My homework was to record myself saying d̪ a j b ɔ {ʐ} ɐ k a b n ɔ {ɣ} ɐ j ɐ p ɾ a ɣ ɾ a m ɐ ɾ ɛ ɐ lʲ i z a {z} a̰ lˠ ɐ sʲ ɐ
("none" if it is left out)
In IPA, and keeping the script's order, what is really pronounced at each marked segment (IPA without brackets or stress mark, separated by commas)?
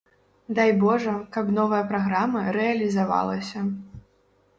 ʐ, v, v